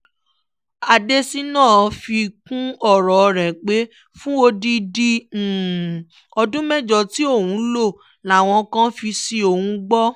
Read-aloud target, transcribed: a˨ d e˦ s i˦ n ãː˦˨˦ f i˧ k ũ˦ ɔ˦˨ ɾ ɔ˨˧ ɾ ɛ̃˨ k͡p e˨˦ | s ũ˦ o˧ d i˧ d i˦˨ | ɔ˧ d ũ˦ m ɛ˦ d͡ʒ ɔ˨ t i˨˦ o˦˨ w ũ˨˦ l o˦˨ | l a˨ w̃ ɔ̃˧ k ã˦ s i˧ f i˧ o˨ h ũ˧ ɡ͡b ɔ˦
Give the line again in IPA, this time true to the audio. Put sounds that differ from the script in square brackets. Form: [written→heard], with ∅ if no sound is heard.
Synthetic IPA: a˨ d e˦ s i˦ n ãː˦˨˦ f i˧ k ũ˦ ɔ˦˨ ɾ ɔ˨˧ ɾ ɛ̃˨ k͡p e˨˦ | [s→f] ũ˦ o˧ d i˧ d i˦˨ | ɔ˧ d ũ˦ m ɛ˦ d͡ʒ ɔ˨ t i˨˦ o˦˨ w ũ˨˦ l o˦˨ | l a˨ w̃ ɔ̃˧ k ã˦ [s→f] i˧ [f→s] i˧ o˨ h ũ˧ ɡ͡b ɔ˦